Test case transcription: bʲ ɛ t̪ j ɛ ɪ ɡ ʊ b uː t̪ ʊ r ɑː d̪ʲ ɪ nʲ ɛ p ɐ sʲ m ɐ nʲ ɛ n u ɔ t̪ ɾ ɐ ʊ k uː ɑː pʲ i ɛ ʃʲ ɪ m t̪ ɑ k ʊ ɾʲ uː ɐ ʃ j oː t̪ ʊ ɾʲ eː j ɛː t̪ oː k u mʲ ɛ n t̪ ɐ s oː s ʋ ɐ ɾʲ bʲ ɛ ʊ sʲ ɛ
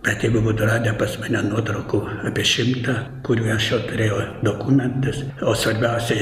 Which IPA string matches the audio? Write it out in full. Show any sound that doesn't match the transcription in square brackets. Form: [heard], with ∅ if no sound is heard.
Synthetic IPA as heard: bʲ ɛ t̪ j ɛ ɪ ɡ ʊ b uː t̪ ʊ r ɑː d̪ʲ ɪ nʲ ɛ p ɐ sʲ m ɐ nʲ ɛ n u ɔ t̪ ɾ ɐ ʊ k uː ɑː pʲ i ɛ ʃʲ ɪ m t̪ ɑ k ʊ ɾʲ uː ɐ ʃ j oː t̪ ʊ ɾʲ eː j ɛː [d̪] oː k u mʲ ɛ n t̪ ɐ s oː s ʋ ɐ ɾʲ bʲ ɛ ʊ sʲ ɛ

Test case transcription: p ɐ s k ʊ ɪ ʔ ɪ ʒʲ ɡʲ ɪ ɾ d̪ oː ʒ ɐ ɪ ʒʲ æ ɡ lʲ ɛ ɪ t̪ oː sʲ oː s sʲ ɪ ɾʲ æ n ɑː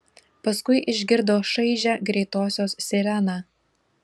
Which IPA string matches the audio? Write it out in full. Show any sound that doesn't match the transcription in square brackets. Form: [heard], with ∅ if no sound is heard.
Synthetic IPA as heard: p ɐ s k ʊ ɪ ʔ ɪ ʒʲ ɡʲ ɪ ɾ d̪ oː [ʃ] ɐ ɪ ʒʲ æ ɡ [ɾʲ] ɛ ɪ t̪ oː sʲ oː s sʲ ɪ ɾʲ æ n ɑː

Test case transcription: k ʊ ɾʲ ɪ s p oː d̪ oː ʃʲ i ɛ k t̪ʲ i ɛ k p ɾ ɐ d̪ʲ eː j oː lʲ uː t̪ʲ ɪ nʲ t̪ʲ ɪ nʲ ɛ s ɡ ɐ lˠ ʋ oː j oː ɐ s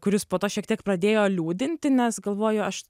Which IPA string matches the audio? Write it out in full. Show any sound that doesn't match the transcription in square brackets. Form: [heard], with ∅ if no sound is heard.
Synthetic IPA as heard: k ʊ ɾʲ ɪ s p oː [t̪] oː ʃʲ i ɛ k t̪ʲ i ɛ k p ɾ ɐ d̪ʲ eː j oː lʲ uː [d̪ʲ] ɪ nʲ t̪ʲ ɪ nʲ ɛ s ɡ ɐ lˠ ʋ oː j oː ɐ [ʃ]

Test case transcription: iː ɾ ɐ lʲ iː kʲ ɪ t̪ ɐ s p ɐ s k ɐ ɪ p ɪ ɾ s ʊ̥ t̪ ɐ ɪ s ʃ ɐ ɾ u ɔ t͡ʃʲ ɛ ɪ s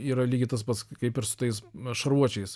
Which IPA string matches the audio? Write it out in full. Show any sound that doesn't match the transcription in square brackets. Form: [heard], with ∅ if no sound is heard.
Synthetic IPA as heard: iː ɾ ɐ lʲ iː [ɡʲ] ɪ t̪ ɐ s p ɐ s k ɐ ɪ p ɪ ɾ s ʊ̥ t̪ ɐ ɪ s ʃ ɐ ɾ u ɔ t͡ʃʲ ɛ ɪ s

